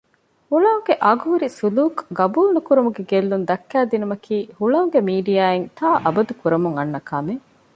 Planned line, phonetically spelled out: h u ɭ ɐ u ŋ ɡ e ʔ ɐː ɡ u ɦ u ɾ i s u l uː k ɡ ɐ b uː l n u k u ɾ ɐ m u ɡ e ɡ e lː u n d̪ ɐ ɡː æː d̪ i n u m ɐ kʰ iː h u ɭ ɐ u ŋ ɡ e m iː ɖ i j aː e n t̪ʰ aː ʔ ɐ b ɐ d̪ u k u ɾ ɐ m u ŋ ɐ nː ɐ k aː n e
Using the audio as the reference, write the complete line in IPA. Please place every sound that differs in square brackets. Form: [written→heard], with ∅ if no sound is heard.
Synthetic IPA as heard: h u ɭ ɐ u ŋ ɡ e ʔ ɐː ɡ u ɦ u ɾ i s u l uː k ɡ ɐ b uː l n u k u ɾ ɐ m u ɡ e ɡ e lː u n d̪ ɐ [ɡː→kː] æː d̪ i n u m ɐ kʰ iː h u ɭ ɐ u ŋ ɡ e m iː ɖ i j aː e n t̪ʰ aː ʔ ɐ b ɐ d̪ u k u ɾ ɐ m u ŋ ɐ nː ɐ k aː [n→m] e

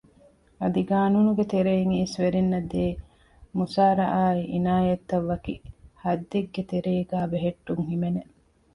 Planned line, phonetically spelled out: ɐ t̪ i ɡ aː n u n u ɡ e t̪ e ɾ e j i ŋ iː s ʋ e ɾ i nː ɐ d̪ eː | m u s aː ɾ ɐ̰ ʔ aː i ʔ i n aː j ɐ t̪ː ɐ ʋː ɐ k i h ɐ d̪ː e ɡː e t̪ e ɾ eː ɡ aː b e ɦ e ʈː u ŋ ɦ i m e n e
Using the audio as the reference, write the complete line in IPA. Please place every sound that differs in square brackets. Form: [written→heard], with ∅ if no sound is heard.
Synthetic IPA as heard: ɐ [t̪→d̪] i ɡ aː n u n u ɡ e t̪ e ɾ e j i ŋ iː s ʋ e ɾ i nː ɐ d̪ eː | m u s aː ɾ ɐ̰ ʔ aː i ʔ i n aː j ɐ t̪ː ɐ ʋː ɐ k i h ɐ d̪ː e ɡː e t̪ e ɾ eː ɡ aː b e ɦ e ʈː u ŋ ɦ i m e n e

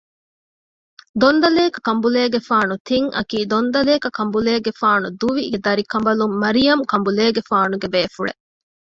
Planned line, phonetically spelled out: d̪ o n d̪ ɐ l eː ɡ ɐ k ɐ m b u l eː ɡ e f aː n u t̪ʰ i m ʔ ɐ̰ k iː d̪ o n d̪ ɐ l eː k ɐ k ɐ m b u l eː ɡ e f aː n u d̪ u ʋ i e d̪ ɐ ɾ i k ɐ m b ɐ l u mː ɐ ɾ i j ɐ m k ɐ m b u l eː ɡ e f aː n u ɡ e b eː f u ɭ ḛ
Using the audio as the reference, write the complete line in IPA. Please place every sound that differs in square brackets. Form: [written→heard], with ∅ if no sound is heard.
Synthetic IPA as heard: d̪ o n d̪ ɐ l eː [ɡ→k] ɐ k ɐ m b u l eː ɡ e f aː n u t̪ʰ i [m→ŋ] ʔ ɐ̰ k iː d̪ o n d̪ ɐ l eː k ɐ k ɐ m b u l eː ɡ e f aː n u d̪ u ʋ i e d̪ ɐ ɾ i k ɐ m b ɐ l u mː ɐ ɾ i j ɐ m k ɐ m b u l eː ɡ e f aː n u ɡ e b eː f u ɭ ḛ

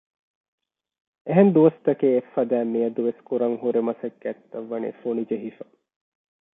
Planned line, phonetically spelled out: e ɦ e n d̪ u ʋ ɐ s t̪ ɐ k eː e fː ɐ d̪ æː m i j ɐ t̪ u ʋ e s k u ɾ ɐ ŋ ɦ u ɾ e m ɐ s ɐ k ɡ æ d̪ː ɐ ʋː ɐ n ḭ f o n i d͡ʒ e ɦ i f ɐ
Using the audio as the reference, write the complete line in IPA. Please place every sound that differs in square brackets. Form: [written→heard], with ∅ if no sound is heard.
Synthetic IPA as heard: e ɦ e n d̪ u ʋ ɐ s t̪ ɐ k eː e fː ɐ d̪ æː m i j ɐ [t̪→d̪] u ʋ e s k u ɾ ɐ ŋ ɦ u ɾ e m ɐ s ɐ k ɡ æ [d̪ː→t̪ː] ɐ ʋː ɐ n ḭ f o n i d͡ʒ e ɦ i f ɐ

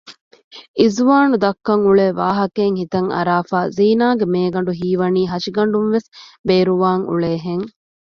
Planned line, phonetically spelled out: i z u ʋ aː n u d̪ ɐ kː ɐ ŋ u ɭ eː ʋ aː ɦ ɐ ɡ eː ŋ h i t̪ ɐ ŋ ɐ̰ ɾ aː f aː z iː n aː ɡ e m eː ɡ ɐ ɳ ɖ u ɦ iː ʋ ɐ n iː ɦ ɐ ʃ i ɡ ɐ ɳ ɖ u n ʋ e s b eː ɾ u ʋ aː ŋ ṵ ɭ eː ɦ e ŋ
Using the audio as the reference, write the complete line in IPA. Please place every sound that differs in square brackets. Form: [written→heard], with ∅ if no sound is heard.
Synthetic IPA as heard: i z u ʋ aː n u d̪ ɐ kː ɐ ŋ u ɭ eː ʋ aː ɦ ɐ [ɡ→k] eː ŋ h i t̪ ɐ ŋ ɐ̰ ɾ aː f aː z iː n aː ɡ e m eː ɡ ɐ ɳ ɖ u ɦ iː ʋ ɐ n iː ɦ ɐ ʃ i ɡ ɐ ɳ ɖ u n ʋ e s b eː ɾ u ʋ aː ŋ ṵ ɭ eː ɦ e ŋ

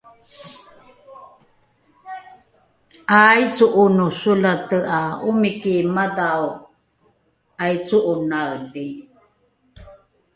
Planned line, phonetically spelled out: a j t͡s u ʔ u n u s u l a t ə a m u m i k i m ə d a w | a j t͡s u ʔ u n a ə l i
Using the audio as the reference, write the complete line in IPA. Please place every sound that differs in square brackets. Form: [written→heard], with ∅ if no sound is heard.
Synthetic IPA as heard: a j t͡s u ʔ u n u s u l a t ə a [m→∅] u m i k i m [ə→a] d a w | a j t͡s u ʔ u n a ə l i

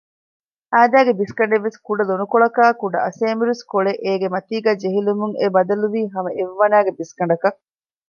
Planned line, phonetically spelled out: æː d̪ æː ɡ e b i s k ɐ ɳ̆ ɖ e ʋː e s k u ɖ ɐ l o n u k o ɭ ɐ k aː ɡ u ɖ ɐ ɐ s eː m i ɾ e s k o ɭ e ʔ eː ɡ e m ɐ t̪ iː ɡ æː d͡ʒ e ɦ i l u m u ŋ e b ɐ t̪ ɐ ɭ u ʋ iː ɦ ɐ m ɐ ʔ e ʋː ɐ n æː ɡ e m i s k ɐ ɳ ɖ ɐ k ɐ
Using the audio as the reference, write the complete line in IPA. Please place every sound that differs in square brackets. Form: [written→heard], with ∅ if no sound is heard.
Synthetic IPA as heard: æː d̪ æː ɡ e b i s k ɐ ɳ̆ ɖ e ʋː e s k u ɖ ɐ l o n u k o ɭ ɐ k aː [ɡ→k] u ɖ ɐ ɐ s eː m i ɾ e s k o ɭ e ʔ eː ɡ e m ɐ t̪ iː ɡ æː d͡ʒ e ɦ i l u m u ŋ e b ɐ [t̪→d̪] ɐ [ɭ→l] u ʋ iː ɦ ɐ m ɐ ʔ e ʋː ɐ n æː ɡ e [m→b] i s k ɐ ɳ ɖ ɐ k ɐ

